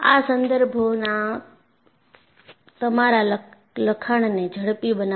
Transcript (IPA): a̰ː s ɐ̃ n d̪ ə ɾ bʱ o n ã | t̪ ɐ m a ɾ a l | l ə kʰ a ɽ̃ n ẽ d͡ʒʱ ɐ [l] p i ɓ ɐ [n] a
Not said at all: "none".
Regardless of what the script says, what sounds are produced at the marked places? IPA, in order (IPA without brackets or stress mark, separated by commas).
ɽ, n